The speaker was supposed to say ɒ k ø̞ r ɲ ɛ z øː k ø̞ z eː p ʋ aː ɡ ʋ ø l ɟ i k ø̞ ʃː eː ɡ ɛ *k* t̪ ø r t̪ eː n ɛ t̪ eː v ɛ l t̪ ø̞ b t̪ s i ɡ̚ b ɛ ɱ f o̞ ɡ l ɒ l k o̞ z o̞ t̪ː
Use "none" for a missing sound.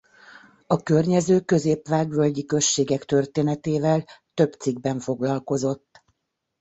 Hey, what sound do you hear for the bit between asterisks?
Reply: k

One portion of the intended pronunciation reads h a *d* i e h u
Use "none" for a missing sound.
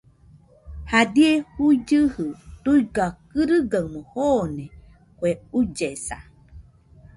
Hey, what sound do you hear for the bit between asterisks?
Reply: d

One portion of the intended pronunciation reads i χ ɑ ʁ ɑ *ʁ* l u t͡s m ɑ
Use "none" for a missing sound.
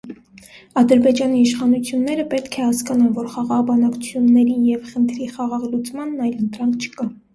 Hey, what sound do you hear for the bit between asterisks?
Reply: ʁ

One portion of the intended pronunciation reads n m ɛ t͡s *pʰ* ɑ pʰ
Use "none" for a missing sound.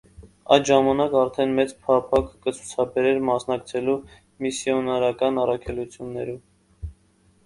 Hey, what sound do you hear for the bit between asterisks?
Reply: pʰ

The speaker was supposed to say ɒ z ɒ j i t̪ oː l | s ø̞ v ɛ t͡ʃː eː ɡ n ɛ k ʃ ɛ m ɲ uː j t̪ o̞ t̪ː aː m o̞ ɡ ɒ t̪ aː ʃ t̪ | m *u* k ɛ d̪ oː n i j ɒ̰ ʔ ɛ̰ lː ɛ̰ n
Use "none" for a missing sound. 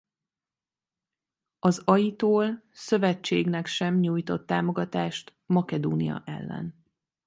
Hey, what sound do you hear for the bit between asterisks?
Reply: ɒ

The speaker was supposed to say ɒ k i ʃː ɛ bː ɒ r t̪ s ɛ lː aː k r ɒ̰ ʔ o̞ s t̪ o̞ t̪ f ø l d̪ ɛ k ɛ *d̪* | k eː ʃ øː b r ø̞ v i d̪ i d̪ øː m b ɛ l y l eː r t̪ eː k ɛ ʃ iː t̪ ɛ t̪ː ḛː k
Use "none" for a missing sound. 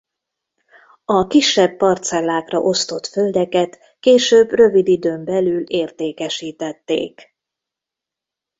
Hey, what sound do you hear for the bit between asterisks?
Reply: t̪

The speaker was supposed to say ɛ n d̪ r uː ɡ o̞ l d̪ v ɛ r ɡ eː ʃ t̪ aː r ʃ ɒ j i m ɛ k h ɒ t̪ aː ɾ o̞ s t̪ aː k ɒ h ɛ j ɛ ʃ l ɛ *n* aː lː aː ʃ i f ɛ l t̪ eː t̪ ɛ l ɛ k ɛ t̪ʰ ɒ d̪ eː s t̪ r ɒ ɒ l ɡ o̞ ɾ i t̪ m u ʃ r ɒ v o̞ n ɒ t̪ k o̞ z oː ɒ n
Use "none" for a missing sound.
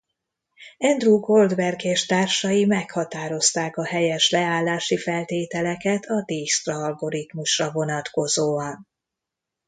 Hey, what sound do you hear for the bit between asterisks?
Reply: none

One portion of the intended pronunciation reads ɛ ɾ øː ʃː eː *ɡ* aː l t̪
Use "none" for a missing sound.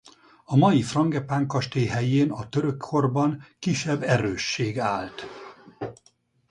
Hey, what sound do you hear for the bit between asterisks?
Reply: ɡ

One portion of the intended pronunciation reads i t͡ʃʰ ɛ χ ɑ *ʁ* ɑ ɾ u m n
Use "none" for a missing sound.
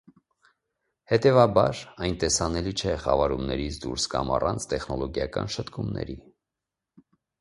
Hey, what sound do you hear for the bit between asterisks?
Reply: v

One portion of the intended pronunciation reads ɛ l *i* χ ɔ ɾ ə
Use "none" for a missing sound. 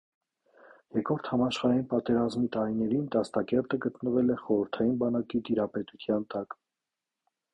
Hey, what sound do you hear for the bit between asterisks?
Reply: ɛ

